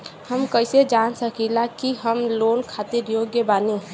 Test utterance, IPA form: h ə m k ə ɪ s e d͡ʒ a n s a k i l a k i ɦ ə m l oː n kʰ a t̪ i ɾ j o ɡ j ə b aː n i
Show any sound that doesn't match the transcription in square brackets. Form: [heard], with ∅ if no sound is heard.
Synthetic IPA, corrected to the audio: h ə m k ə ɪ s e d͡ʒ a n s [ə] k i l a k i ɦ ə m l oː n kʰ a t̪ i ɾ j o ɡ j ə b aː n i